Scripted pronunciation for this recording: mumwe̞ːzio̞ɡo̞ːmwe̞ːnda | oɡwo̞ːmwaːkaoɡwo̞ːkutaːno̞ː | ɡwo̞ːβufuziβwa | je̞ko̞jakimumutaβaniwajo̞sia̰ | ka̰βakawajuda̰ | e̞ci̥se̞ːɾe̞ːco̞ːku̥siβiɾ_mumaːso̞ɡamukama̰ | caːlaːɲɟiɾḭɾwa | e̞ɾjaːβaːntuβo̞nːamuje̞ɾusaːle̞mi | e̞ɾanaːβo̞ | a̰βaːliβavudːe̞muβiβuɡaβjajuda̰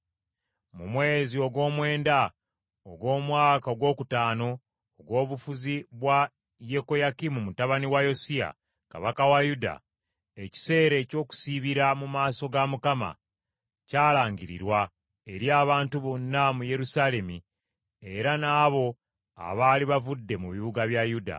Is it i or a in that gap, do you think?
a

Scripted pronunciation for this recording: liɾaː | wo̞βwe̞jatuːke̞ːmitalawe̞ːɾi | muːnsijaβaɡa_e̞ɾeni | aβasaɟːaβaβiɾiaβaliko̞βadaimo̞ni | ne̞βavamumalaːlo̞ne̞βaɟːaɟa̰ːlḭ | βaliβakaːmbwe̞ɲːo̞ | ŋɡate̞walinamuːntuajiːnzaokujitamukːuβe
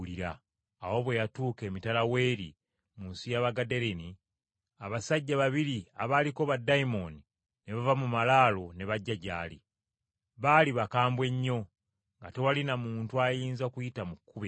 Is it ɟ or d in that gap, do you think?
d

